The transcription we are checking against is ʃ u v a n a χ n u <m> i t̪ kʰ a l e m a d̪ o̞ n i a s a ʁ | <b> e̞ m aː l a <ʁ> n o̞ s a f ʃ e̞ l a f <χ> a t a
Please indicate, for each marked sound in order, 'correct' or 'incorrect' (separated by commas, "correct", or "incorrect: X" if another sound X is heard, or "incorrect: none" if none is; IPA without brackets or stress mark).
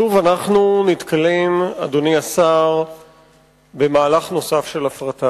incorrect: n, correct, incorrect: χ, incorrect: ʁ